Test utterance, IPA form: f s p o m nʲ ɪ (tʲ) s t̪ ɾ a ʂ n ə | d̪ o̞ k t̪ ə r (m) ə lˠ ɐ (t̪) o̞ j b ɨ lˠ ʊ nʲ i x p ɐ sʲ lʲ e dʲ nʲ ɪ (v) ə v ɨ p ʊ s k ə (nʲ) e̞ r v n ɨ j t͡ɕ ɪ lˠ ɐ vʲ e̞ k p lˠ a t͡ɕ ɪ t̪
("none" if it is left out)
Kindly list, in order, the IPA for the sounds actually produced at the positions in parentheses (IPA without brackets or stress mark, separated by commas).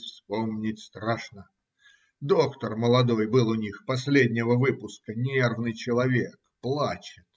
tʲ, m, d̪, v, nʲ